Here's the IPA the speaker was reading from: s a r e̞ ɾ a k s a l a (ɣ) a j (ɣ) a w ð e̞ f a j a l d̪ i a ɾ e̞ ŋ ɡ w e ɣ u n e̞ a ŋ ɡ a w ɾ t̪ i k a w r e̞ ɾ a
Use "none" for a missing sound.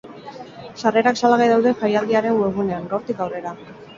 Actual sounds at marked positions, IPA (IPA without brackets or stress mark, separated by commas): ɣ, ð